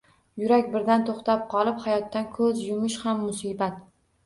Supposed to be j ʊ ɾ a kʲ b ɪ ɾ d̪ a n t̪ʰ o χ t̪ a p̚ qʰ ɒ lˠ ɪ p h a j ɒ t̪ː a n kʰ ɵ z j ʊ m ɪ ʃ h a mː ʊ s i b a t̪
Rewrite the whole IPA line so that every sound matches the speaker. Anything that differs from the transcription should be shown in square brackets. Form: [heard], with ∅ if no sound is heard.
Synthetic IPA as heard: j ʊ ɾ a kʲ b ɪ ɾ d̪ a n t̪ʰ o χ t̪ a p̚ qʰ ɒ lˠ ɪ p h a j ɒ t̪ː a n kʰ ɵ z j ʊ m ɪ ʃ h a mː ʊ s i b a t̪